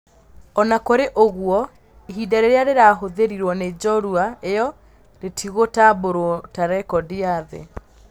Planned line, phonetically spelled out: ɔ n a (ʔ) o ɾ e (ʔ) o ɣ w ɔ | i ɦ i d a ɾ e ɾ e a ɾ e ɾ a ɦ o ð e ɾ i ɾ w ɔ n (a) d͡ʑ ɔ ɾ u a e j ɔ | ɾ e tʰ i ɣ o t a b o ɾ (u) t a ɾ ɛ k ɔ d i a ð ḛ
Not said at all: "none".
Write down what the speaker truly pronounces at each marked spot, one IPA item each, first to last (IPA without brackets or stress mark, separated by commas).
k, ʔ, e, o